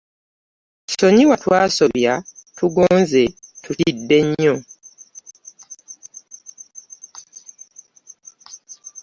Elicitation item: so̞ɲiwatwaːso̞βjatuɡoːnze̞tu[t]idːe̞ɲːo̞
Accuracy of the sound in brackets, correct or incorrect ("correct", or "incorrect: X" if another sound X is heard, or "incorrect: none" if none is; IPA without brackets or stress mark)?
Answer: correct